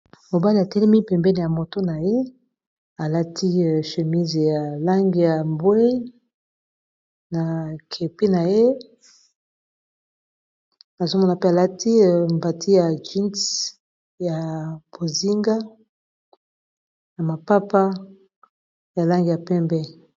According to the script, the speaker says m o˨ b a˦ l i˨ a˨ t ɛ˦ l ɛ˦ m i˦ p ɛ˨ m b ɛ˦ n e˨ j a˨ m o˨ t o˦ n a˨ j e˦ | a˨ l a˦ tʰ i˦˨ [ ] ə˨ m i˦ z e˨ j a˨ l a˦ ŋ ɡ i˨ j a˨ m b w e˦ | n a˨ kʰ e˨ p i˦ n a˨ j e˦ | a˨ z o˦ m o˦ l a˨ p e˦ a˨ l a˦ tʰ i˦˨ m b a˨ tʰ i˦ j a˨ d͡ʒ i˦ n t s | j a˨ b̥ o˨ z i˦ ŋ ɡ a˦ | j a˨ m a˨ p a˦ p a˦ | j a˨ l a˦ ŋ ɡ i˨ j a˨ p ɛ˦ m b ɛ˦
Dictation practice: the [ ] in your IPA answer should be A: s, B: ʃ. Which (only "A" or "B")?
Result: B